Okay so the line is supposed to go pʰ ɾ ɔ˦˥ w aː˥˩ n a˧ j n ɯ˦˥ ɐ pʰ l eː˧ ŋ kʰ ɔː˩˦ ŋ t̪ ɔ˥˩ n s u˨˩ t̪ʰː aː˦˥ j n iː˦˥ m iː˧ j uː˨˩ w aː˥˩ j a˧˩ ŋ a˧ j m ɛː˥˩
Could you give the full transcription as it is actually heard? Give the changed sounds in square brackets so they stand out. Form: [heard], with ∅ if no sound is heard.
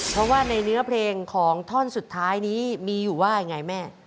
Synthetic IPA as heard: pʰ ɾ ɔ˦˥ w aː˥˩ n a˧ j n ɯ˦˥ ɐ pʰ l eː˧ ŋ kʰ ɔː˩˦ ŋ [t̪ʰ] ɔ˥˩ n s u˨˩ t̪ʰː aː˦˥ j n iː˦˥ m iː˧ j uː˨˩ w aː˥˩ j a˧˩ ŋ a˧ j m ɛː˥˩